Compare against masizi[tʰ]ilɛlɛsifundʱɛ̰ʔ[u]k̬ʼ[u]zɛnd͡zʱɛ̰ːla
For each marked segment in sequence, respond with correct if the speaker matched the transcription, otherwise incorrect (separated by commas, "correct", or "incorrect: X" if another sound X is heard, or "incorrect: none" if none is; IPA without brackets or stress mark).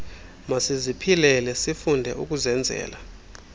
incorrect: pʰ, correct, correct